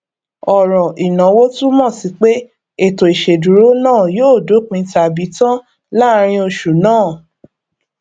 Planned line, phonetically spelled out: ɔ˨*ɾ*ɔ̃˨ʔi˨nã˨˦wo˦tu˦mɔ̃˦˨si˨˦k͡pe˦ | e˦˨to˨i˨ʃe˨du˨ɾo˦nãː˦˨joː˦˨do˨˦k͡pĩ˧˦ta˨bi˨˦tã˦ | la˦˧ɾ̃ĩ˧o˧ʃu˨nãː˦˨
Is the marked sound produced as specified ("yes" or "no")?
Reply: yes